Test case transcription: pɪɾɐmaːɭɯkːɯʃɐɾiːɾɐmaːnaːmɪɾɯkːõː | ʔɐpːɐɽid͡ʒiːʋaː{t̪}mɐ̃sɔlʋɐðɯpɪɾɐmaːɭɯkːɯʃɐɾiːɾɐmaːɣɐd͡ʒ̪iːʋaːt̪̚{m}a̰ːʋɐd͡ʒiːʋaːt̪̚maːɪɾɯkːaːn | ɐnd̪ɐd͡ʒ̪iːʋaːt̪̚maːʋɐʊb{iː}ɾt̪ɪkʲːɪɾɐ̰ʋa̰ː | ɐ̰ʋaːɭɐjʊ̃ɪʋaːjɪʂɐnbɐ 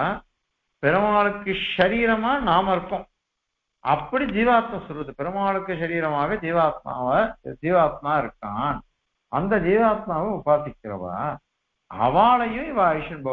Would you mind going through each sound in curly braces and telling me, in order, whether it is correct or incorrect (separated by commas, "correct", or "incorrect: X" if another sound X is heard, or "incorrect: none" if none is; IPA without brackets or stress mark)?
correct, correct, incorrect: aː